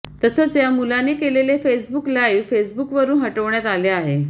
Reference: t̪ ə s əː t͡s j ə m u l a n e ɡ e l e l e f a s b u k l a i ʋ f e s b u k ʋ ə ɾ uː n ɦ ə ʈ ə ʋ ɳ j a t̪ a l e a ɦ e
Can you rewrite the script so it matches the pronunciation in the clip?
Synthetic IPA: t̪ ə s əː t͡s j a m u l a n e k e l e l e f e s b u k l a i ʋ f e s b u k ʋ ə ɾ uː n ɦ ə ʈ ə ʋ ɳ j a t̪ a l e a ɦ e